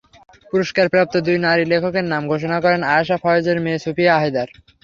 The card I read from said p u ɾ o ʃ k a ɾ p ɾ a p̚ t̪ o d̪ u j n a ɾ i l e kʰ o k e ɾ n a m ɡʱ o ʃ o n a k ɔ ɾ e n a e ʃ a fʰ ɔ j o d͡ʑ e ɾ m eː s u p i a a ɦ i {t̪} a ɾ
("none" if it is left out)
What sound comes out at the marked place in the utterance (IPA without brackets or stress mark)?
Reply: d̪